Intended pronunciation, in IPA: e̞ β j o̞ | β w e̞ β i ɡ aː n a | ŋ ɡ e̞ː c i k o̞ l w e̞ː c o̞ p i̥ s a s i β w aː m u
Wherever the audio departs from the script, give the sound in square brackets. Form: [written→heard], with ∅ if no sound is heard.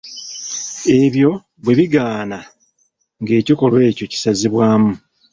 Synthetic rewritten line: e̞ β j o̞ | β w e̞ β i ɡ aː n a | ŋ ɡ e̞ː c i k o̞ l w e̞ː c o̞ [p→c] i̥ s a [s→z] i β w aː m u